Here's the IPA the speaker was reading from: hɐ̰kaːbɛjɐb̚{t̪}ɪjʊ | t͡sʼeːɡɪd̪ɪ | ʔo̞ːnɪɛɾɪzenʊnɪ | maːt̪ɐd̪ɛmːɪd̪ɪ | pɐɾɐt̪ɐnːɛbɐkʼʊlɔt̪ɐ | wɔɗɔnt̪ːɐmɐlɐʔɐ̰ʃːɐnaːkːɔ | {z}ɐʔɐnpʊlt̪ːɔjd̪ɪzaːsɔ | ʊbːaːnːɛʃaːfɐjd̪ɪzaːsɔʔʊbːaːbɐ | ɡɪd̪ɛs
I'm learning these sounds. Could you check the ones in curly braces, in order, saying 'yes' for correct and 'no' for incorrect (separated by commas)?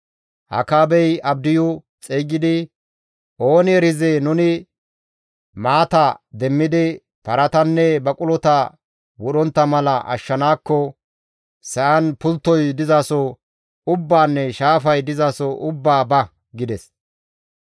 no, no